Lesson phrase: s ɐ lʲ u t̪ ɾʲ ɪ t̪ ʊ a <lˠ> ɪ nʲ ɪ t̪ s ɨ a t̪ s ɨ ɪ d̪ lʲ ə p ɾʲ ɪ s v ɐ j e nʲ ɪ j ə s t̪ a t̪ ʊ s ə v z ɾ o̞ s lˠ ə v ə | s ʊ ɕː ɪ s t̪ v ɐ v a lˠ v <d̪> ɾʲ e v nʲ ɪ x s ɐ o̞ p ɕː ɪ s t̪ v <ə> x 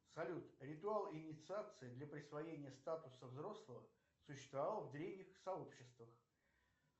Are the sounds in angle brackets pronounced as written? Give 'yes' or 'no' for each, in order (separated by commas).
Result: yes, yes, yes